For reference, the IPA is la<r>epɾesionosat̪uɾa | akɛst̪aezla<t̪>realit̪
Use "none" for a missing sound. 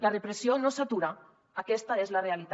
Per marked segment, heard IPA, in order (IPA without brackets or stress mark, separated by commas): r, none